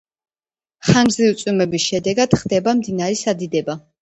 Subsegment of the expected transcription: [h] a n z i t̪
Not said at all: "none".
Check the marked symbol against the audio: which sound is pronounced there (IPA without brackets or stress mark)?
χ